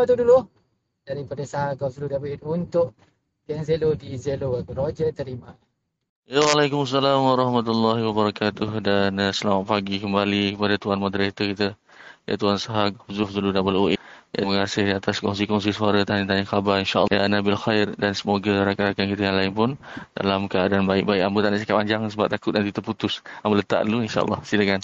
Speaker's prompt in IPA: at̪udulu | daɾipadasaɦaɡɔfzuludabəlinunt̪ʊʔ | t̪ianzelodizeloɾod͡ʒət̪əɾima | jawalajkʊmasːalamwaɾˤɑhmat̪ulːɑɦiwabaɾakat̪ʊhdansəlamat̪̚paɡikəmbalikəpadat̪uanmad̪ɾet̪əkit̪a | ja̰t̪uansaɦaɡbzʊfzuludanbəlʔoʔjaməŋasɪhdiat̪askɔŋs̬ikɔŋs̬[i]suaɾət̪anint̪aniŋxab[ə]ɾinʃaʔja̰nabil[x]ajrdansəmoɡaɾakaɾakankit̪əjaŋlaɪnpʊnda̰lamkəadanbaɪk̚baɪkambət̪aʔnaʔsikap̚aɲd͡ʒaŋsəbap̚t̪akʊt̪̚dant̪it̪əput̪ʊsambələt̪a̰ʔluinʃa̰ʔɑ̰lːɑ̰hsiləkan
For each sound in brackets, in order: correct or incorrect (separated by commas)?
correct, incorrect, correct